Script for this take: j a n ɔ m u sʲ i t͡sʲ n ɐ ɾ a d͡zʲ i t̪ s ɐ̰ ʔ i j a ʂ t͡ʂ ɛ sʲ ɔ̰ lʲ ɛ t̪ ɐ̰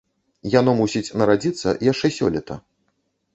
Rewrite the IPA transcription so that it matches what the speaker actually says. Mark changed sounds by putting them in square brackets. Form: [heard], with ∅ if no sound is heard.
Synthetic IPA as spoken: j a n ɔ m u sʲ i t͡sʲ n ɐ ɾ a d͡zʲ i t̪ [sː] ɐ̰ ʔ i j a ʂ t͡ʂ ɛ sʲ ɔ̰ lʲ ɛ t̪ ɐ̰